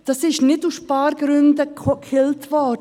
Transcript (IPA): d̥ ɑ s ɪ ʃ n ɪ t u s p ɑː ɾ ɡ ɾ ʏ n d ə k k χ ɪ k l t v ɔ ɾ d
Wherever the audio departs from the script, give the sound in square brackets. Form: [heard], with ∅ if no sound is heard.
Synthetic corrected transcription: d̥ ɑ s ɪ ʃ n ɪ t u s p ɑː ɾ ɡ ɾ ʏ n d ə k k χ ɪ [∅] l t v ɔ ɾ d